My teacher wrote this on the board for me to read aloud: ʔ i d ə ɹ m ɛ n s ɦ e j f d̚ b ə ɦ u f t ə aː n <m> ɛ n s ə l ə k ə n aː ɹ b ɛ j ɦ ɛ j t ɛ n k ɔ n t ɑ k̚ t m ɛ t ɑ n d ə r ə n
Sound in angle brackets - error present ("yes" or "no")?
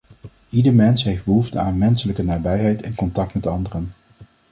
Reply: no